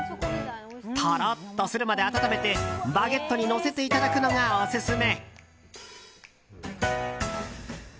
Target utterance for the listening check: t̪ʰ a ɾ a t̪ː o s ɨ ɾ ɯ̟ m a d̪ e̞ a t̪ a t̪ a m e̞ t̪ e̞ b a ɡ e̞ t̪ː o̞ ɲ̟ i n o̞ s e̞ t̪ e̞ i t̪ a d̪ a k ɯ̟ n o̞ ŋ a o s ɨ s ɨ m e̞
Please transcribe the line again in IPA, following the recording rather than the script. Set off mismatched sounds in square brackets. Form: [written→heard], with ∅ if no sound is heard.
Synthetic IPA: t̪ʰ a ɾ a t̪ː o s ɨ ɾ ɯ̟ m a d̪ e̞ a t̪ a t̪ a m e̞ t̪ e̞ b a ɡ e̞ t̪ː o̞ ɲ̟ i n o̞ s e̞ t̪ e̞ i t̪ a d̪ a k ɯ̟ n o̞ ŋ a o s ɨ s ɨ m e̞